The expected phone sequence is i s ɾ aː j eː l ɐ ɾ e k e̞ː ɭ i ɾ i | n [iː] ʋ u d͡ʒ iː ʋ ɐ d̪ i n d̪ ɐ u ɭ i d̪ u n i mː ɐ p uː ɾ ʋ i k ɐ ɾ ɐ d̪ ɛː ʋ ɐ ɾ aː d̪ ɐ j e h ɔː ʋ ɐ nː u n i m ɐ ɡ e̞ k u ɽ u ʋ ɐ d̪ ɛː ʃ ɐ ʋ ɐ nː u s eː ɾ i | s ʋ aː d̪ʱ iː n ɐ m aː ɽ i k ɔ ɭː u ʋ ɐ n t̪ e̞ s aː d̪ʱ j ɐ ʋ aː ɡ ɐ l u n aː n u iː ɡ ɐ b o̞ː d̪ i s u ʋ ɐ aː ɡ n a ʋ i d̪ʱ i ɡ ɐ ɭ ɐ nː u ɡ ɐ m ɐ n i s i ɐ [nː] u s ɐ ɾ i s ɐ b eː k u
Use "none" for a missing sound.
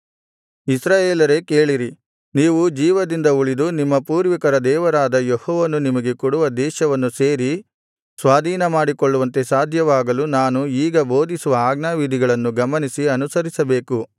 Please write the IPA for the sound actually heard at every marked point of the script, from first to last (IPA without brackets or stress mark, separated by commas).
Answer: iː, n